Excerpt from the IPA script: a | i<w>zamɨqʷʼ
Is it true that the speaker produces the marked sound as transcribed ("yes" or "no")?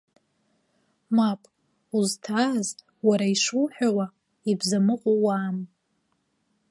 no